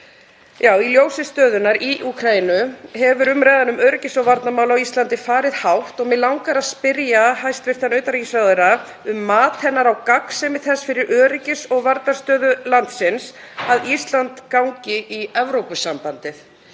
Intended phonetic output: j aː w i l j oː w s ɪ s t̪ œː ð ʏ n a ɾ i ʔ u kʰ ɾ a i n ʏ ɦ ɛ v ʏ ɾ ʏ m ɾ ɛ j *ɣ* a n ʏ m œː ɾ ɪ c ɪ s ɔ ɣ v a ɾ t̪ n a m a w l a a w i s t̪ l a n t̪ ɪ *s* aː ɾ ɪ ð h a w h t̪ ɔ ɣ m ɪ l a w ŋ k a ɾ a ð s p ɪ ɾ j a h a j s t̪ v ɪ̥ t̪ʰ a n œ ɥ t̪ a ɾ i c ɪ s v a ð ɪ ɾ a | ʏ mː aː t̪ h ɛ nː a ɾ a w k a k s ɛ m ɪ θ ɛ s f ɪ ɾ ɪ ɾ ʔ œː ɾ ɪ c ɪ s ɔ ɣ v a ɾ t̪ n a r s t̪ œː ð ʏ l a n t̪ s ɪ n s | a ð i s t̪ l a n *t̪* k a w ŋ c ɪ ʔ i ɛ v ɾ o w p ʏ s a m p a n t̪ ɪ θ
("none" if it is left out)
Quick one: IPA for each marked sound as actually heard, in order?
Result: ð, f, t̪

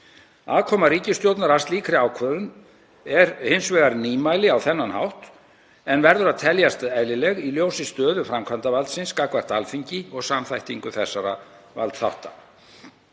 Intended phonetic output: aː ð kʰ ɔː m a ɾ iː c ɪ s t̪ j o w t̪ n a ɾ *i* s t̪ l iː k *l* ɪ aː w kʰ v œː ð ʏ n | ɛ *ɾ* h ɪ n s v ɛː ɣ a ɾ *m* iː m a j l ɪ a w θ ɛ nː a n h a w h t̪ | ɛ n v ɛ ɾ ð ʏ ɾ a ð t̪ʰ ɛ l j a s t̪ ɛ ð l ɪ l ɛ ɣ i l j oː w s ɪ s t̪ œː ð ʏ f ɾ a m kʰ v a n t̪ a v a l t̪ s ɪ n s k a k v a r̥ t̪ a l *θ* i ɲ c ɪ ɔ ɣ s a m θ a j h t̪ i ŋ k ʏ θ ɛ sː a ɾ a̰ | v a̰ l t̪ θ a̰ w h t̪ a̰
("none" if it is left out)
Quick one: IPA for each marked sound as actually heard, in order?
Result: a, ɾ, ɾ, n, f

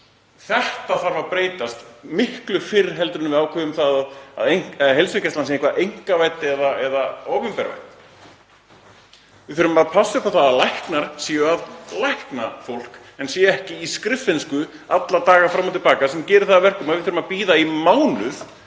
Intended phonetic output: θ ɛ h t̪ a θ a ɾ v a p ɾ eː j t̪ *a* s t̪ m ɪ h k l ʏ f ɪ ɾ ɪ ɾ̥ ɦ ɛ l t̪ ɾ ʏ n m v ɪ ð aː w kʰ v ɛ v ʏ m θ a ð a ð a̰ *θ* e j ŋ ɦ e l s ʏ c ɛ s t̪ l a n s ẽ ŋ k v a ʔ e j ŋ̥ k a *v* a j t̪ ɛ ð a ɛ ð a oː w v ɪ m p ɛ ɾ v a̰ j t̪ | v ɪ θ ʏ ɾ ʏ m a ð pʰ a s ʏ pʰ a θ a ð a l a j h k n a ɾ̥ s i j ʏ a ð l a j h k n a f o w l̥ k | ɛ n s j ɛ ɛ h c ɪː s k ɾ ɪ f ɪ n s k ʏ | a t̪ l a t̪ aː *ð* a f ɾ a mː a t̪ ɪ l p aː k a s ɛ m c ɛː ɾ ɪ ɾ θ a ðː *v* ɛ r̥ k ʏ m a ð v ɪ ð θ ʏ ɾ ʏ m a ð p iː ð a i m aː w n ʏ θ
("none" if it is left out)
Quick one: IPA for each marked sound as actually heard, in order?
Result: a, ð, v, ɣ, v

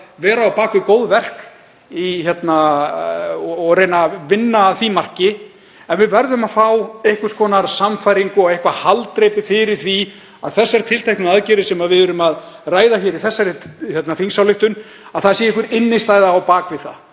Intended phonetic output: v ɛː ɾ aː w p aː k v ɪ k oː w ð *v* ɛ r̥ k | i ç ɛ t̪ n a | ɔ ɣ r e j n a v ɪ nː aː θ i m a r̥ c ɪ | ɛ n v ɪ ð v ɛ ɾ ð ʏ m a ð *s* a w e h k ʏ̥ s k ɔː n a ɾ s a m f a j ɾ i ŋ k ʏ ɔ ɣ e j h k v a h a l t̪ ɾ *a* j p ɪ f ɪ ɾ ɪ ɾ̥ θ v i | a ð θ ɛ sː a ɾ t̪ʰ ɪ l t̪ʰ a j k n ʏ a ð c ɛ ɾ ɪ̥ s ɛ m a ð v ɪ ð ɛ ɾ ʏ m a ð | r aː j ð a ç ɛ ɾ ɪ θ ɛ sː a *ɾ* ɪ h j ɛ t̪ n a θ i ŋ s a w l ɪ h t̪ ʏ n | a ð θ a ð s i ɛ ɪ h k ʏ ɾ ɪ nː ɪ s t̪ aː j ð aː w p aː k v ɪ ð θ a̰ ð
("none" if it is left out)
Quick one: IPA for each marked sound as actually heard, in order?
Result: v, f, e, ɾ

